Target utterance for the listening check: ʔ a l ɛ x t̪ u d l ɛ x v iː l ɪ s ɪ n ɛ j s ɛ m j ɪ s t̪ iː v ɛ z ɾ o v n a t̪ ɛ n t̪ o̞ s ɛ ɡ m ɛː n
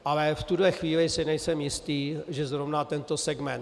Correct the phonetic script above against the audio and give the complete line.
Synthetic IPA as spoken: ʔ a l ɛ f t̪ u d l ɛ x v iː l ɪ s ɪ n ɛ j s ɛ m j ɪ s t̪ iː ʒ ɛ z ɾ o v n a t̪ ɛ n t̪ o̞ s ɛ ɡ m ɛ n